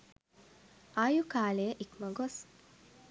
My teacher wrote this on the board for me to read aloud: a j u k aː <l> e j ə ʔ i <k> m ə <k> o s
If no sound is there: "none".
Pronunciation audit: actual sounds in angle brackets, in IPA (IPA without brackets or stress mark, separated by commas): l, k, ɡ